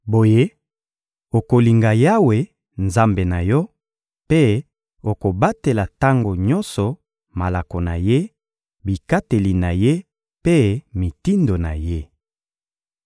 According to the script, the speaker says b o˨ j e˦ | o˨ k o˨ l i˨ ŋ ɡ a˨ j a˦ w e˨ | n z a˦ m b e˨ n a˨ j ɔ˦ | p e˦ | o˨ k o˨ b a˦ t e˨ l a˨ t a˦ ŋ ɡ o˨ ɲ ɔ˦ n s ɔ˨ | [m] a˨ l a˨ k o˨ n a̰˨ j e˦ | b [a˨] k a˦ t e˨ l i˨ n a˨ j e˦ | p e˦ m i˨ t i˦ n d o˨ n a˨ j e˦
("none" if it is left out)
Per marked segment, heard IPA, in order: m, i˨

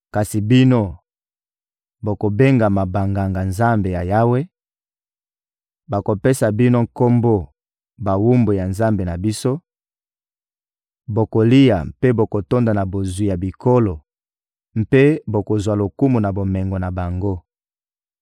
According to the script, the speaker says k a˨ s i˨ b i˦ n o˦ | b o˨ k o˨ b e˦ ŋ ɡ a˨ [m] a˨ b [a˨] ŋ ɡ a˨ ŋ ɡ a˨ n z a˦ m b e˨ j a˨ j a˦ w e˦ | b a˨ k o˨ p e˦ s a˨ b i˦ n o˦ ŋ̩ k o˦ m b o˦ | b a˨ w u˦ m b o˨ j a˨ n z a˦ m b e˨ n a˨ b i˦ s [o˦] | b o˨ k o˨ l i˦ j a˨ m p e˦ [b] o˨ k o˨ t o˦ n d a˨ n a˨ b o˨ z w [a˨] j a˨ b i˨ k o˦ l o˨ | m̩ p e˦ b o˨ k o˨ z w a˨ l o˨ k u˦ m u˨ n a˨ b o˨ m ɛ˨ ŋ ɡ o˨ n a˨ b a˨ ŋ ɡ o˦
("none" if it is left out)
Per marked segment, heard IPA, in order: m, a˨, o˦, b, i˨

